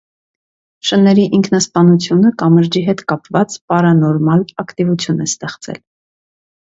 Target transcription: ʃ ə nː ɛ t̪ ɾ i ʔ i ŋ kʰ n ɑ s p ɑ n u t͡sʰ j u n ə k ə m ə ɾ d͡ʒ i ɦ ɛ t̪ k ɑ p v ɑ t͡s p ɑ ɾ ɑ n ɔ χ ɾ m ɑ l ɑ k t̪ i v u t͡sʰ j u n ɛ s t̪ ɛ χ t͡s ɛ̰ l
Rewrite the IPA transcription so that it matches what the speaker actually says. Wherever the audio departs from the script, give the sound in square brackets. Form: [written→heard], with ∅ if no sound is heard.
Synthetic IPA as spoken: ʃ ə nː ɛ [t̪→∅] ɾ i ʔ i ŋ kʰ n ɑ s p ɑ n u t͡sʰ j u n ə k [ə→ɑ] m ə ɾ d͡ʒ i ɦ ɛ t̪ k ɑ p v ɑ t͡s p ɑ ɾ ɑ n ɔ [χ→∅] ɾ m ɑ l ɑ k t̪ i v u t͡sʰ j u n ɛ s t̪ ɛ χ t͡s ɛ̰ l

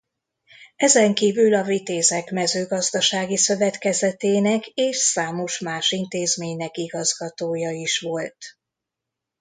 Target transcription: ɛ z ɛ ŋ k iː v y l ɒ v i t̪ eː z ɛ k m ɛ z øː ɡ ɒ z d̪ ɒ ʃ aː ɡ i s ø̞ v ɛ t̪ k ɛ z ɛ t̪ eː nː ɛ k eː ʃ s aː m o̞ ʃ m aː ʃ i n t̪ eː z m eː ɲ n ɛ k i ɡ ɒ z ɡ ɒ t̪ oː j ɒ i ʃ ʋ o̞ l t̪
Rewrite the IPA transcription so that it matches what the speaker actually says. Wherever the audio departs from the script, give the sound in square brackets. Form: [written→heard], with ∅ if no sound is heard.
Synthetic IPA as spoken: ɛ z ɛ ŋ k iː v y l ɒ v i t̪ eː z ɛ k m ɛ z øː ɡ ɒ z d̪ ɒ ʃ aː ɡ i s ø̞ v ɛ t̪ k ɛ z ɛ t̪ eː [nː→n] ɛ k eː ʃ s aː m o̞ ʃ m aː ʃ i n t̪ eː z m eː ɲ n ɛ k i ɡ ɒ z ɡ ɒ t̪ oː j ɒ i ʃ ʋ o̞ l t̪

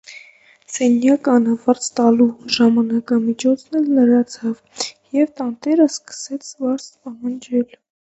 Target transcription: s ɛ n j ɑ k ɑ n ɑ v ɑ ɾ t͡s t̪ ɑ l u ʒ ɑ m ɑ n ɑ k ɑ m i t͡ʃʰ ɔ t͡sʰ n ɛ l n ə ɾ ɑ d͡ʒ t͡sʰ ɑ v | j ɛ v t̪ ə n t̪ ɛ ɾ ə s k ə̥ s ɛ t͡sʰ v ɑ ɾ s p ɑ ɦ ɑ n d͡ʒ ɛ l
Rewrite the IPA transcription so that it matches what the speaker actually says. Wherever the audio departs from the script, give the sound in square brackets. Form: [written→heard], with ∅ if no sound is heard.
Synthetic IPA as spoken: s ɛ n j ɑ k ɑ n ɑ v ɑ ɾ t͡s t̪ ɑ l u ʒ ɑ m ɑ n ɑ k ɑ m i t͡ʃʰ ɔ t͡sʰ n ɛ l n ə ɾ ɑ [d͡ʒ→∅] t͡sʰ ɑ v | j ɛ v t̪ [ə→ɑ] n t̪ ɛ ɾ ə s k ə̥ s ɛ t͡sʰ v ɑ ɾ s p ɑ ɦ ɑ n d͡ʒ ɛ l

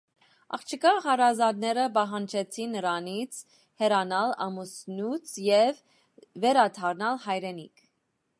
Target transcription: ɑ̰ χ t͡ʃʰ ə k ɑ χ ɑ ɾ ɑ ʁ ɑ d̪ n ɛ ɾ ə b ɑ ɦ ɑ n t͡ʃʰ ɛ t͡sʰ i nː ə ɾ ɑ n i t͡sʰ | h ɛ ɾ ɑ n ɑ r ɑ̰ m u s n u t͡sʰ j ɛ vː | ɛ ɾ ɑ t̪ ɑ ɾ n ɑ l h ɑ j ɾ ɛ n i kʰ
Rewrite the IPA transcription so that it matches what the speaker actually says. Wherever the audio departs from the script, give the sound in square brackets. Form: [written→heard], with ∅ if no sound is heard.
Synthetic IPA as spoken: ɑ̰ χ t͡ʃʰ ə k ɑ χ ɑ ɾ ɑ [ʁ→z] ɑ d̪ n ɛ ɾ ə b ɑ ɦ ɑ n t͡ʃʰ ɛ t͡sʰ i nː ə ɾ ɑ n i t͡sʰ | h ɛ ɾ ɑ n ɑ [r→l] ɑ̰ m u s n u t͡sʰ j ɛ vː | ɛ ɾ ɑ [t̪→t̪ʰ] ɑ ɾ n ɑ l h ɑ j ɾ ɛ n i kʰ

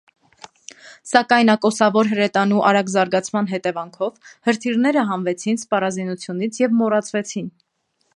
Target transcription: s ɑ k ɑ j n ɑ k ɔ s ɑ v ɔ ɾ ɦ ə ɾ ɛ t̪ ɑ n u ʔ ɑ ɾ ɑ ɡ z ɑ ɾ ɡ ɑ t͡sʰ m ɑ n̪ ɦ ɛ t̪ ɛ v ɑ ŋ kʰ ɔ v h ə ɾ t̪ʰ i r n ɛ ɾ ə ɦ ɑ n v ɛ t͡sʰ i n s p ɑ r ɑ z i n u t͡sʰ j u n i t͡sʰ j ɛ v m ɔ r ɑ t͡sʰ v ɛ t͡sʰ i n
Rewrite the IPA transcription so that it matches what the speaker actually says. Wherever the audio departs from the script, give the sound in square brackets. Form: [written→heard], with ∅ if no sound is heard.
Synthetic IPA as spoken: s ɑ k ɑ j n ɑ k ɔ s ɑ v ɔ ɾ ɦ ə ɾ ɛ t̪ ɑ n u ʔ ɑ ɾ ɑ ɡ z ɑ ɾ ɡ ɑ t͡sʰ m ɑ n̪ ɦ ɛ t̪ ɛ v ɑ ŋ kʰ ɔ v h ə ɾ t̪ʰ i r n ɛ ɾ ə ɦ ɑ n v ɛ t͡sʰ i n s p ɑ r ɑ z i n u t͡sʰ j u n i t͡sʰ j ɛ v m ɔ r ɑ t͡sʰ v ɛ t͡sʰ i n

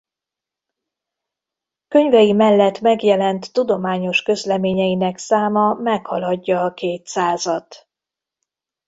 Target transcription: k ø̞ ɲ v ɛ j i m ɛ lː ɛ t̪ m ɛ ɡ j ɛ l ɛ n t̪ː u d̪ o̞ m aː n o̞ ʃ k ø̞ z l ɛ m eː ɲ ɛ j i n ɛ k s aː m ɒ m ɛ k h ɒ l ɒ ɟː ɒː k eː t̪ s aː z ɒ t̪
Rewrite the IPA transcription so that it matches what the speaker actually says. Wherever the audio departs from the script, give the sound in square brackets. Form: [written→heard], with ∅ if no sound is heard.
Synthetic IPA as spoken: k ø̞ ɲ v ɛ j i m ɛ lː ɛ t̪ m ɛ ɡ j ɛ l ɛ n t̪ː u d̪ o̞ m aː [n→ɲ] o̞ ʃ k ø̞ z l ɛ m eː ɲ ɛ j i n ɛ k s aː m ɒ m ɛ k h ɒ l ɒ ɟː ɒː k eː t̪ s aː z ɒ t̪

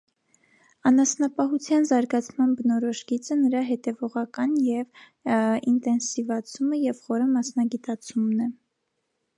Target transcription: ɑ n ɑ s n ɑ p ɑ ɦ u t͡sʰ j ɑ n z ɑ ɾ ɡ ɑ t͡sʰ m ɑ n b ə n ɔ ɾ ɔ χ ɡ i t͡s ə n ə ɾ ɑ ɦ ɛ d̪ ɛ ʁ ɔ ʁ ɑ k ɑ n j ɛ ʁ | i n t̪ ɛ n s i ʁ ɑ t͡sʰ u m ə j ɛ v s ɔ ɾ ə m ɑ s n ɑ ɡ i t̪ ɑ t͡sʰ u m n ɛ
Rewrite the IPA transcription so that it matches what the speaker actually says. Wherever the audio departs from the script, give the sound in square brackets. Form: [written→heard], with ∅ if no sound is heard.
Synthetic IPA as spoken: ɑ n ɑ s n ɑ p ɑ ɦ u t͡sʰ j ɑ n z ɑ ɾ ɡ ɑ t͡sʰ m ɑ n b ə n ɔ ɾ ɔ [χ→ʃ] ɡ i t͡s ə n ə ɾ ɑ ɦ ɛ [d̪→t̪] ɛ [ʁ→v] ɔ ʁ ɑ k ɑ n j ɛ [ʁ→v] | i n t̪ ɛ n s i [ʁ→v] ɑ t͡sʰ u m ə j ɛ v [s→χ] ɔ ɾ ə m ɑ s n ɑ ɡ i t̪ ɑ t͡sʰ u m n ɛ

